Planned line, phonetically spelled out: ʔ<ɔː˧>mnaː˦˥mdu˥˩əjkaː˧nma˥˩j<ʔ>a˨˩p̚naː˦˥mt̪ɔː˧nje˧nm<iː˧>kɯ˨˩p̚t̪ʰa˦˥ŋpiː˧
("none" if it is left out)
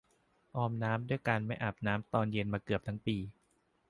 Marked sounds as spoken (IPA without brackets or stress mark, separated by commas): ɔː˧, ʔ, aː˧